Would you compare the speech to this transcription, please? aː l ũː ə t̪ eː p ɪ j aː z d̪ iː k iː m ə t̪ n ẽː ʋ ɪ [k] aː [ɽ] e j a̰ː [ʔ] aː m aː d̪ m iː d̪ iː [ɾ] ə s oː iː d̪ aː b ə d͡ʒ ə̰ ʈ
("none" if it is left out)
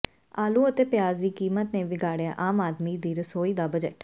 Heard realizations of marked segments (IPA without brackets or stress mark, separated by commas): ɡ, ɽ, ʔ, ɾ